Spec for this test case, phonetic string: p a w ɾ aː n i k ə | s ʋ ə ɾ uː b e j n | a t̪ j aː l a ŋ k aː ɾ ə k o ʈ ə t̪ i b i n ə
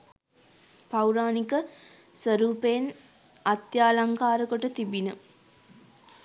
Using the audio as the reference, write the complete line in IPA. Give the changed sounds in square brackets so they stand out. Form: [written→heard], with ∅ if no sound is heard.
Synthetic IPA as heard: p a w ɾ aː n i k ə | s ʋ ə ɾ uː [b→p] e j n | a t̪ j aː l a ŋ k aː ɾ ə k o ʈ ə t̪ i b i n ə